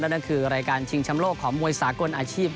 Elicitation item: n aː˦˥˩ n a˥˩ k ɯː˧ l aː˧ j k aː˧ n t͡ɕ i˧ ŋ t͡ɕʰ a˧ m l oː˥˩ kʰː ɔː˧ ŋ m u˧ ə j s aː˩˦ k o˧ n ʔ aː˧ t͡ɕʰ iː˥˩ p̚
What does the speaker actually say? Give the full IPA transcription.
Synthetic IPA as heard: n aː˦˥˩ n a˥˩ kʰ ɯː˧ ɾ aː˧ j k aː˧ n t͡ɕʰ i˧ ŋ t͡ɕʰ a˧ m l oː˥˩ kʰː ɔː˩˦ ŋ m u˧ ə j s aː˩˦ k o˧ n ʔ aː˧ t͡ɕʰ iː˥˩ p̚

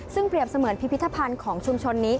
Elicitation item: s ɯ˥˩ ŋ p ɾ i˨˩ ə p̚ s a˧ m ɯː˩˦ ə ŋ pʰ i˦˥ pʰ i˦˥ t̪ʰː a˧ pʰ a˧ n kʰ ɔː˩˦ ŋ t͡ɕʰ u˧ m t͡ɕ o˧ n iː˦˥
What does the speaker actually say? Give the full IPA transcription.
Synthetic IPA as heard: s ɯ˥˩ ŋ p ɾ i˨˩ ə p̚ s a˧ m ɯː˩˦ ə n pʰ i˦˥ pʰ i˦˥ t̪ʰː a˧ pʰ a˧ n kʰ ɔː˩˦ ŋ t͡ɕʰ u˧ m t͡ɕʰ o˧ nː iː˦˥

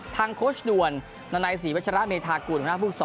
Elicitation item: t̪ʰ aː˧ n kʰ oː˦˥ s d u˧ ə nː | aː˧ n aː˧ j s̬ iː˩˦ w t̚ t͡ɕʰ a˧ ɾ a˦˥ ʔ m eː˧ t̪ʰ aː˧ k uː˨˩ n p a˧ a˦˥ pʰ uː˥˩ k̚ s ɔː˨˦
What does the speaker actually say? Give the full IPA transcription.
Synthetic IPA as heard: t̪ʰ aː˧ ŋ kʰ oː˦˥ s d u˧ ə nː | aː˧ n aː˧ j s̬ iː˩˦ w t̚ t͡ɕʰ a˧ ɾ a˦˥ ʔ m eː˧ t̪ʰ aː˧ k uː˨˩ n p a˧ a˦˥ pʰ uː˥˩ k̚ s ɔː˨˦

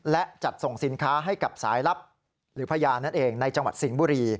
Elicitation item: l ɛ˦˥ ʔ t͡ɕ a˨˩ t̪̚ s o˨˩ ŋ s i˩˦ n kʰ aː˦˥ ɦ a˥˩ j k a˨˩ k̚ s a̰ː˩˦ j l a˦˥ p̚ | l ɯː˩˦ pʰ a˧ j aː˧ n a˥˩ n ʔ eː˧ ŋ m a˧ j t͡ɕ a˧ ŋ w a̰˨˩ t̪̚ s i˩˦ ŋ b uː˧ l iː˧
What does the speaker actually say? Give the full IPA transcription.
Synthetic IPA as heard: l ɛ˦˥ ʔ t͡ɕ a˨˩ t̪̚ s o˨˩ ŋ s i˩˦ n kʰ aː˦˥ ɦ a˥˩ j k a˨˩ p̚ s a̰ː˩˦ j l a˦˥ p̚ | ɾ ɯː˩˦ pʰ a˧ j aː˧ n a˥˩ n ʔ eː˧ ŋ n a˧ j t͡ɕ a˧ ŋ w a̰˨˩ t̪̚ s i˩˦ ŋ b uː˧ ɾ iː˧

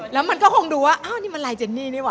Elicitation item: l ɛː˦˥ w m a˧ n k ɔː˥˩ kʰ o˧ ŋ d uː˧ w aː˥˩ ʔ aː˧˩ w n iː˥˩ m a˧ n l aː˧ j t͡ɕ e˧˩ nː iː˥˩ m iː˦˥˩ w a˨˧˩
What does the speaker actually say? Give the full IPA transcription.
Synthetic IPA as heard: l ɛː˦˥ w m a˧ n k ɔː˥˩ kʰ o˧ ŋ d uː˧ w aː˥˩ ʔ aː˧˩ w n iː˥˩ m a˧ n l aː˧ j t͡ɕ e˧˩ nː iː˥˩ n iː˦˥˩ w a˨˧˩

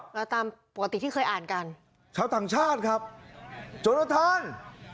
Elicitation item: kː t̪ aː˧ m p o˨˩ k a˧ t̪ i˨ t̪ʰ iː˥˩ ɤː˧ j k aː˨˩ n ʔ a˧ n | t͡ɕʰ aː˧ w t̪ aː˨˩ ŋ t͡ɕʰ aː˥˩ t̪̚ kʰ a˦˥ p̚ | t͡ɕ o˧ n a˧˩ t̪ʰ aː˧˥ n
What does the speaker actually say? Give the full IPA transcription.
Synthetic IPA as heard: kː t̪ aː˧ m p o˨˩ k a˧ t̪ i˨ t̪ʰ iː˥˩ ɤː˧ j ʔ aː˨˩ n k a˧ n | t͡ɕʰ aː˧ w t̪ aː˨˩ ŋ t͡ɕʰ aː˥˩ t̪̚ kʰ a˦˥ p̚ | t͡ɕ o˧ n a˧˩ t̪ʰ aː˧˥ n

